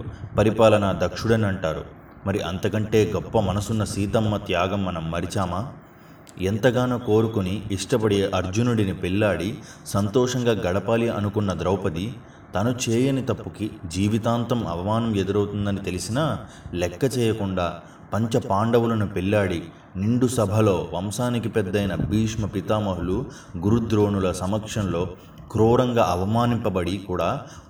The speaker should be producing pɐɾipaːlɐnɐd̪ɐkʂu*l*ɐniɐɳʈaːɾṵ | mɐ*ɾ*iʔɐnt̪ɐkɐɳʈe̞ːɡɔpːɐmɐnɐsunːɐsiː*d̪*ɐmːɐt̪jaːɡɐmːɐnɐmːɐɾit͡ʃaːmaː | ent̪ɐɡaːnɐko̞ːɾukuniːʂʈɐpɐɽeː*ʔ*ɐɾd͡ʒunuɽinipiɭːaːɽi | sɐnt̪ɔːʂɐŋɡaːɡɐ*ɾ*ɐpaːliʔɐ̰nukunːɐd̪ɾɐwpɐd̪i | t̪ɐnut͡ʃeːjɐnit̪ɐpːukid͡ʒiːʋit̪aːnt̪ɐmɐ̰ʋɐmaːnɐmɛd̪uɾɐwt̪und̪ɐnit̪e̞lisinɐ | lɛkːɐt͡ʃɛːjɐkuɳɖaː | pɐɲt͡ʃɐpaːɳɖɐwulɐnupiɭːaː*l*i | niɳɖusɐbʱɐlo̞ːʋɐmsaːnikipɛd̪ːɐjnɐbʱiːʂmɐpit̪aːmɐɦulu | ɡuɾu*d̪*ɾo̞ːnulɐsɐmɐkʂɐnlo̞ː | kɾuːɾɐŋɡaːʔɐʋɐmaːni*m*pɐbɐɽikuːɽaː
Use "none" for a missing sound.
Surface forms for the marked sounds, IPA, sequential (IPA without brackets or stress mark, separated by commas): ɽ, ɾ, t̪, ʔ, ɽ, ɽ, d̪, m